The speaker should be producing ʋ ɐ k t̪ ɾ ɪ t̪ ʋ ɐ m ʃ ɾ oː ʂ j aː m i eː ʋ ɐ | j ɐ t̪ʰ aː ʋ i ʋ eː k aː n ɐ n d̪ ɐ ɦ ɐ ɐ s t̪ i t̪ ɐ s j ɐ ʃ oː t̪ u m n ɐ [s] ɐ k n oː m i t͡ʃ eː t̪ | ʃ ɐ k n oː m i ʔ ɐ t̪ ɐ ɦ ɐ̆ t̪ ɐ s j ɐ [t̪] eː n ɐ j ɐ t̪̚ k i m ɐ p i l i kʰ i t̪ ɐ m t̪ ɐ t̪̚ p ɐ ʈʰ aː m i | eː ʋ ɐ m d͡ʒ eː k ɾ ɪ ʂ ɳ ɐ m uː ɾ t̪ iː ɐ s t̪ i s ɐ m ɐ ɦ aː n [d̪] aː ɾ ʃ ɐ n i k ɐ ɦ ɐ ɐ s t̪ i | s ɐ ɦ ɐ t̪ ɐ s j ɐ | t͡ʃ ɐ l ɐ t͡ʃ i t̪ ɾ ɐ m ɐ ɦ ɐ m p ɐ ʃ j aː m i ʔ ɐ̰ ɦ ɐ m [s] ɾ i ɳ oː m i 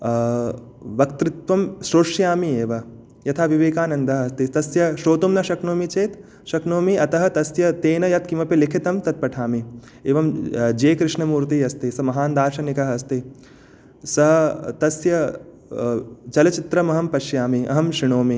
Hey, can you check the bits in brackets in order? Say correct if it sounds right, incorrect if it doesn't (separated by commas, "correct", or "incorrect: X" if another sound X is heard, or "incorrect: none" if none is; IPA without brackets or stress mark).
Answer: incorrect: ʃ, correct, correct, incorrect: ʃ